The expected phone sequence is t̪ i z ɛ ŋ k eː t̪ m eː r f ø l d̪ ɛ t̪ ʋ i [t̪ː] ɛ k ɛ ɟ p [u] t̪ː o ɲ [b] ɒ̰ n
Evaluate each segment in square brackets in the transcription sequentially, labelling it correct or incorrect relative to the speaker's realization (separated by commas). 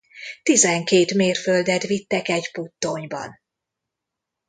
correct, correct, correct